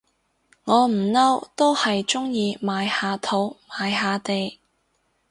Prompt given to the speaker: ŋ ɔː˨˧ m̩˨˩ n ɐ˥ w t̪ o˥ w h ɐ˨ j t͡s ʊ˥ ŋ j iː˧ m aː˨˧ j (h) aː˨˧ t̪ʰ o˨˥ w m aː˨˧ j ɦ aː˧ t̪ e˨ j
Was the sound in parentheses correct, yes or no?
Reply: yes